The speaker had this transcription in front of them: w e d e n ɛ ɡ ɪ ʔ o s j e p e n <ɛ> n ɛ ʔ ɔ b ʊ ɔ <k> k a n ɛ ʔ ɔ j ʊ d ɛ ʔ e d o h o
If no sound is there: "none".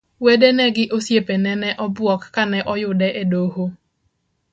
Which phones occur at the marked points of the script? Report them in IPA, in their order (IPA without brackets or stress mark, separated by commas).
ɛ, k